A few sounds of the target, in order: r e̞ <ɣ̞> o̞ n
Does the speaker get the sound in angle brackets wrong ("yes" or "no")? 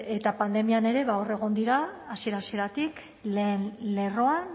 no